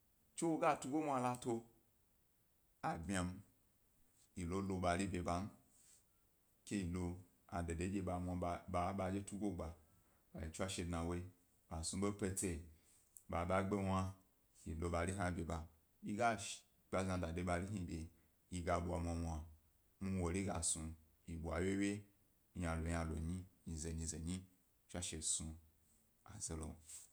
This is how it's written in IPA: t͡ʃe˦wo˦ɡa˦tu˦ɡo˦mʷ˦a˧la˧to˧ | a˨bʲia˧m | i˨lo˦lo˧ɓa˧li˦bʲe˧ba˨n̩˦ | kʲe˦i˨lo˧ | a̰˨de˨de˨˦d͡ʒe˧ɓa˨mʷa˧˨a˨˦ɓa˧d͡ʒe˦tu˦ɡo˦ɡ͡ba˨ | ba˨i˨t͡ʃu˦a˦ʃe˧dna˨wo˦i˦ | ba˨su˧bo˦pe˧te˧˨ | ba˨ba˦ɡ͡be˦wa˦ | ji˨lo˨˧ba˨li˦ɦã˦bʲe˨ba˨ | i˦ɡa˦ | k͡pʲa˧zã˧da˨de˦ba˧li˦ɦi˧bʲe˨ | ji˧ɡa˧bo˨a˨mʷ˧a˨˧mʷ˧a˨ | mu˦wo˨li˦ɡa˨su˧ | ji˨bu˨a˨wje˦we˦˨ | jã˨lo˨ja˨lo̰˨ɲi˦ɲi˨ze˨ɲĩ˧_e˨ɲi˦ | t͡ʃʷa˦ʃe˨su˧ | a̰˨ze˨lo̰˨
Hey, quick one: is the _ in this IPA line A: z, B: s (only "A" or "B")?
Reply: A